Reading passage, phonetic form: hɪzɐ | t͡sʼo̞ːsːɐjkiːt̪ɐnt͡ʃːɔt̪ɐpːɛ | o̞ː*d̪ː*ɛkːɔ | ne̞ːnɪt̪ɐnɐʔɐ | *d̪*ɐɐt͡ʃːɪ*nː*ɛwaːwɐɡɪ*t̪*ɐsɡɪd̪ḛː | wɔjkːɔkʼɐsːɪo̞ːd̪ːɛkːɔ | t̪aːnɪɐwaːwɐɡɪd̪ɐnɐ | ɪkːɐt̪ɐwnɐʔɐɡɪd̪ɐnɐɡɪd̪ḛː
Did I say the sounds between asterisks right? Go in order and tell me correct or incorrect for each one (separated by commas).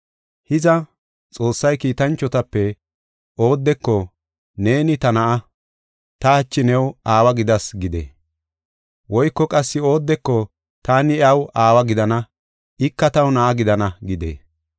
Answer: correct, incorrect, incorrect, incorrect